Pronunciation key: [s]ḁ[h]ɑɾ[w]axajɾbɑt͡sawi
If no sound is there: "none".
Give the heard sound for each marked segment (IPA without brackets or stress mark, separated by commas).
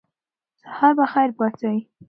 s, h, b